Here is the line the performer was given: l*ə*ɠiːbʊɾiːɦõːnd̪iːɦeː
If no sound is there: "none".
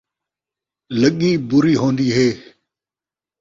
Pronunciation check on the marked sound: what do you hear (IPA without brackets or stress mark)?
ə